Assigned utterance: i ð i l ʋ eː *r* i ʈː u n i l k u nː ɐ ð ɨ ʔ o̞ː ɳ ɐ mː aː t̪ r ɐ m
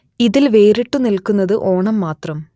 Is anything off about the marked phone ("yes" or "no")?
yes